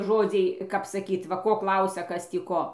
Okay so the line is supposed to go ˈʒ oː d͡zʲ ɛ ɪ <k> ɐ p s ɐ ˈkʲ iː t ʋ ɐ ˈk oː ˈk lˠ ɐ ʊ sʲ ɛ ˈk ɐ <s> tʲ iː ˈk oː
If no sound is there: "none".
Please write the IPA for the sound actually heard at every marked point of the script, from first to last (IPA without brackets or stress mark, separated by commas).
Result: k, s